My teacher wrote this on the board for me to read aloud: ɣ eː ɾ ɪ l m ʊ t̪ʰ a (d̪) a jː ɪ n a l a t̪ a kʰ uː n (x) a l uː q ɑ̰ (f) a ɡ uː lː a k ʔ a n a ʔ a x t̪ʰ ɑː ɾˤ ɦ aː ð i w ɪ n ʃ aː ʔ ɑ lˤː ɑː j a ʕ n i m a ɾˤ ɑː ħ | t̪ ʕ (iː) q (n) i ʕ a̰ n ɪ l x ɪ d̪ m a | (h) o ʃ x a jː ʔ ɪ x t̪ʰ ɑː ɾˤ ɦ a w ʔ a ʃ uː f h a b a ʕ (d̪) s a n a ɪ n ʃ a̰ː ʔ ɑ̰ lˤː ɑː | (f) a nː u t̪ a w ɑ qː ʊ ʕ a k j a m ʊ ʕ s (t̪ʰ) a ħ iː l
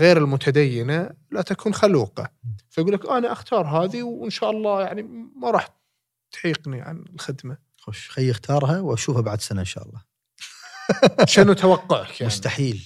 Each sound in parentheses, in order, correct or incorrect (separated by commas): correct, correct, correct, correct, correct, incorrect, correct, incorrect, incorrect